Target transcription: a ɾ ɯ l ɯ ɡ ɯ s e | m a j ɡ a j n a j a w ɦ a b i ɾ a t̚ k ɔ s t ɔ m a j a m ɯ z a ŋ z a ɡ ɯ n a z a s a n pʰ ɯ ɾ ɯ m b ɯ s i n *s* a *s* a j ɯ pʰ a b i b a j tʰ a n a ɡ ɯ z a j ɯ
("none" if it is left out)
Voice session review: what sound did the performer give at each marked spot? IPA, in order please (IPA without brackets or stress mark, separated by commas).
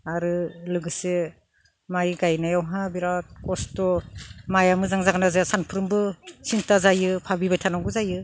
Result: t, z